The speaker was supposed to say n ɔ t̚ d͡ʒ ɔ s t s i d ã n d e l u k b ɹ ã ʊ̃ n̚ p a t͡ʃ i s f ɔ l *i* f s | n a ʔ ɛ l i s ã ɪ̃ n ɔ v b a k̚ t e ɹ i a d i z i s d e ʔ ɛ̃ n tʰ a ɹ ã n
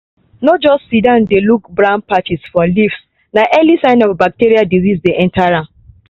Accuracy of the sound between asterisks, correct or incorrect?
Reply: correct